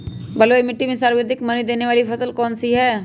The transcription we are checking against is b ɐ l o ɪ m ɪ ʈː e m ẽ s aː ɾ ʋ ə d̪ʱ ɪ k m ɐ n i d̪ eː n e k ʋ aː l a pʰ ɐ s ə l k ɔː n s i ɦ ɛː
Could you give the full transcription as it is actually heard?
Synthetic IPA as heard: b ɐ l o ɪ m ɪ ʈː i m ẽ s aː ɾ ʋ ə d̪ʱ ɪ k m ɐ n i d̪ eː n e ʋ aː l i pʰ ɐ s ə l k ɔː n s i ɦ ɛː